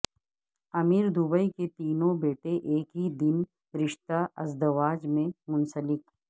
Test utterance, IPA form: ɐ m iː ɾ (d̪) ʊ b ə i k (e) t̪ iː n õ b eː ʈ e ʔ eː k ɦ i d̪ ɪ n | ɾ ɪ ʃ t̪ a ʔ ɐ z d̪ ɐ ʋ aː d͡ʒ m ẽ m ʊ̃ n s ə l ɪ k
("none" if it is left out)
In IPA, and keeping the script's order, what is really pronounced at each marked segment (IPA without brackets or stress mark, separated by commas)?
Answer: d̪, e